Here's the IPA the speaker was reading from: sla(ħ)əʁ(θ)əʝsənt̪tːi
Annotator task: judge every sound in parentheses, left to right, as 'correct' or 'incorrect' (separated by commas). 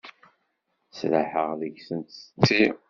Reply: correct, incorrect